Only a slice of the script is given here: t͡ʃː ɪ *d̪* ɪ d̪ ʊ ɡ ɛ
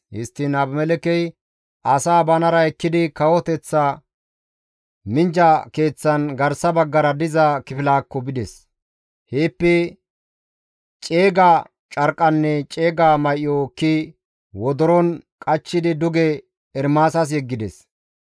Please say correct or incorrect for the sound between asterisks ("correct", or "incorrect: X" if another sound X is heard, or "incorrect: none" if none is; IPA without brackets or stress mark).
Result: correct